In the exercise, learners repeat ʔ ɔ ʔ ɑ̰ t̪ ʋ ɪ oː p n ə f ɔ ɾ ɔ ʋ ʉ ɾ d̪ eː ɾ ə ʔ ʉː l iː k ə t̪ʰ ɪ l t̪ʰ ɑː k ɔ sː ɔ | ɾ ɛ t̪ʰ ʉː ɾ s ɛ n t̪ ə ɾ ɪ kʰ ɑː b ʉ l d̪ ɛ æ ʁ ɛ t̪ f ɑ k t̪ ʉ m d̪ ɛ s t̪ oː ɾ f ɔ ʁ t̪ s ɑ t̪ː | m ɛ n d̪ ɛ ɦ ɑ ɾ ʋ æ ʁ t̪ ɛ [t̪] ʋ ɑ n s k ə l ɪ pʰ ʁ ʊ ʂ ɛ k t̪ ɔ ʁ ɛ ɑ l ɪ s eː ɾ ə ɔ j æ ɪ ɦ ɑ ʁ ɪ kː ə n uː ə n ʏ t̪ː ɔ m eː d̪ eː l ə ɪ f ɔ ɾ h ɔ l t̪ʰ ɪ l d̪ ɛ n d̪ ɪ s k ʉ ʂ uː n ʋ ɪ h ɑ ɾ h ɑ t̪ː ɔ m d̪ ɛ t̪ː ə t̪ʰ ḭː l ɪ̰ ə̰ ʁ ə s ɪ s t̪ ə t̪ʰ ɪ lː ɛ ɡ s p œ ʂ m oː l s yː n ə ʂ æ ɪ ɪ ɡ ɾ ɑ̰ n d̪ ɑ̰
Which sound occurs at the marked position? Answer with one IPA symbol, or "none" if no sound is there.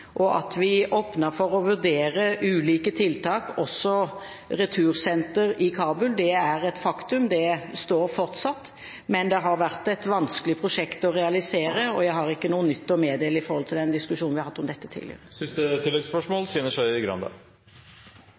t̪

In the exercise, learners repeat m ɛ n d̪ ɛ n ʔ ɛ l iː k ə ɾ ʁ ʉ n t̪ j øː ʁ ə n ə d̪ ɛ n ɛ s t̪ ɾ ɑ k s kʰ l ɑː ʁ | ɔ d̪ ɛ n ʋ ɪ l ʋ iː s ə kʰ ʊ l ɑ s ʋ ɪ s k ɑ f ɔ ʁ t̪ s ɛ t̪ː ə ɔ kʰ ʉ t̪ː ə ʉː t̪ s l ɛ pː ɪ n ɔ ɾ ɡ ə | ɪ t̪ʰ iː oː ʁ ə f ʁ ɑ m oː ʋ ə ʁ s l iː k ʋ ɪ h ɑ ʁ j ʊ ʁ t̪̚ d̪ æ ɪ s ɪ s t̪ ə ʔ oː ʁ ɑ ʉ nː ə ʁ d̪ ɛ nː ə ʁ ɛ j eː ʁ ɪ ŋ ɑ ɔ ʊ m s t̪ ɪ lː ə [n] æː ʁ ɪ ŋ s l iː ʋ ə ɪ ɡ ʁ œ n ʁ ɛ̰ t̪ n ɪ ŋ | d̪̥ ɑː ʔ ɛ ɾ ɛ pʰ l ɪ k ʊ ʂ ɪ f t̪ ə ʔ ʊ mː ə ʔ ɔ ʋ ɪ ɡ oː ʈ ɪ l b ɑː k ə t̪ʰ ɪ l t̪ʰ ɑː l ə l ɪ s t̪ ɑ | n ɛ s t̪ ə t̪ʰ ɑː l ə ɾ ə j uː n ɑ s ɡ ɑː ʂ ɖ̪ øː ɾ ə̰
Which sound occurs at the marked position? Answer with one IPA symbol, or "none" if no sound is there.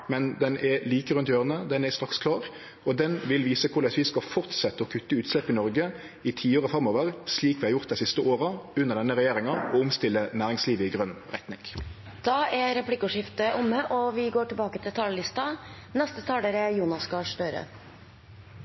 n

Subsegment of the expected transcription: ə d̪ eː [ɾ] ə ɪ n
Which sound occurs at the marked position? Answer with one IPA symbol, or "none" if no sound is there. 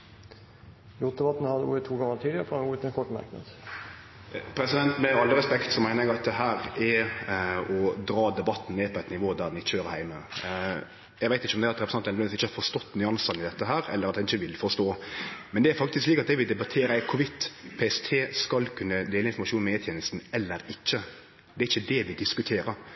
l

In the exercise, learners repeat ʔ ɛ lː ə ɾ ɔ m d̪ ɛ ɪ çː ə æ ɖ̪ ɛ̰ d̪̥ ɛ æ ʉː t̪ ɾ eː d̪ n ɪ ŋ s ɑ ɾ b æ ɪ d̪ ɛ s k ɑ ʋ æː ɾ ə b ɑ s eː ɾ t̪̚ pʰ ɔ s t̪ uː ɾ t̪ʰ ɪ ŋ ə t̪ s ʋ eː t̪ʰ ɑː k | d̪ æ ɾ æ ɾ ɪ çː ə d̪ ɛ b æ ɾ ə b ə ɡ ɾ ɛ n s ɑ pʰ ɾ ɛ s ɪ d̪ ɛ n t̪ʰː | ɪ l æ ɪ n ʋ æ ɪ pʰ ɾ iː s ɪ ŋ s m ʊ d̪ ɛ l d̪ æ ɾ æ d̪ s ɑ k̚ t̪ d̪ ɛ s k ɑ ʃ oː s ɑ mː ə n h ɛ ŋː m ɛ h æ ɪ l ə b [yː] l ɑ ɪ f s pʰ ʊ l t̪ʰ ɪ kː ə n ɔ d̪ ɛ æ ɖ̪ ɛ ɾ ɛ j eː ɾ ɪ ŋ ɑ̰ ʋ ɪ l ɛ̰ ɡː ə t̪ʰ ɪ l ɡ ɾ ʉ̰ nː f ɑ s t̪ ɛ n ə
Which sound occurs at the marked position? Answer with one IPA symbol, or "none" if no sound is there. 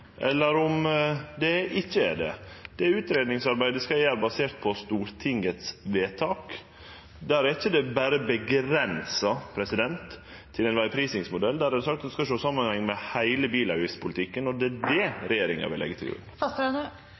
iː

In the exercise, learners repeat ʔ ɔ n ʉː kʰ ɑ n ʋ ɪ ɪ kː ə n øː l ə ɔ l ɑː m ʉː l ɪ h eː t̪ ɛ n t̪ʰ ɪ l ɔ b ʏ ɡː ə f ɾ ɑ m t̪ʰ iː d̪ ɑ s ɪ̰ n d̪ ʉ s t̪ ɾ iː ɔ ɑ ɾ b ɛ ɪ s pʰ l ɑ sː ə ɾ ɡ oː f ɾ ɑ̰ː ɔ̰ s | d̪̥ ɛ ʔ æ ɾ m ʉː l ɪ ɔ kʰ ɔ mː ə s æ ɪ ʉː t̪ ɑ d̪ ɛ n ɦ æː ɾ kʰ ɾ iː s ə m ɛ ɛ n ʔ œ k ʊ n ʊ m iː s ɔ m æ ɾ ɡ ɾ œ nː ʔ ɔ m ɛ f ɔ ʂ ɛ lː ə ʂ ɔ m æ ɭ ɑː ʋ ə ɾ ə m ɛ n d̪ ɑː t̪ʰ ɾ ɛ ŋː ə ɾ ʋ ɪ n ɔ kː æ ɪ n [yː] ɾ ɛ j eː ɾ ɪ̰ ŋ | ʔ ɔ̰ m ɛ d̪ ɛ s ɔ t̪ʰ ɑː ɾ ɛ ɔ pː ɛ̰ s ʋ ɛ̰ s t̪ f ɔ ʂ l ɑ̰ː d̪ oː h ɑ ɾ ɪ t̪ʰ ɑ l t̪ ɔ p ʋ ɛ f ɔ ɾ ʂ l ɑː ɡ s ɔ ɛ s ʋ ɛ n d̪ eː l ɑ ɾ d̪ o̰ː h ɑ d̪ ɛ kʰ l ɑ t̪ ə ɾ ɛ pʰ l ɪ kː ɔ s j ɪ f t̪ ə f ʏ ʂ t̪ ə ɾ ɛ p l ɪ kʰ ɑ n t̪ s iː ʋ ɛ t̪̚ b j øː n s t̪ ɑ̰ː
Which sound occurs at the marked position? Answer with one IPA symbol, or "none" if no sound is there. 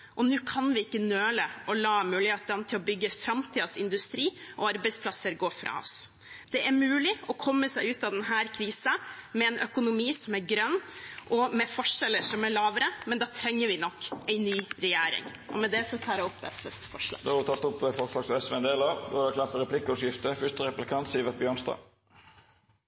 yː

